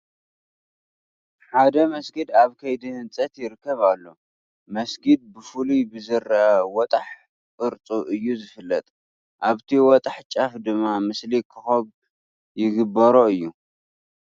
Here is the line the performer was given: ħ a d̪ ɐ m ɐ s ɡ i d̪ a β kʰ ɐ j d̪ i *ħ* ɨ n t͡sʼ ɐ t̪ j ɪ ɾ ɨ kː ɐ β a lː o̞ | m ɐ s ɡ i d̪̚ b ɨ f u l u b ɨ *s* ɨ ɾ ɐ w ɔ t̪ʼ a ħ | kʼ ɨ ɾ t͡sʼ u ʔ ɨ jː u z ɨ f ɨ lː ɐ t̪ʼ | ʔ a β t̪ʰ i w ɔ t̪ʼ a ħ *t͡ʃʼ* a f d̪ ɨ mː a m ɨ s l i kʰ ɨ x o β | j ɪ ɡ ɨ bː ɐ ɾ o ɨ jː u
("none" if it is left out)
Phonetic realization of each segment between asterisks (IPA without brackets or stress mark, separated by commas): h, z, t͡ʃʼ